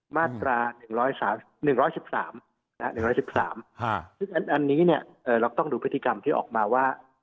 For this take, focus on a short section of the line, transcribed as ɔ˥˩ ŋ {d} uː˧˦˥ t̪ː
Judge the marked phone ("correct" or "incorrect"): correct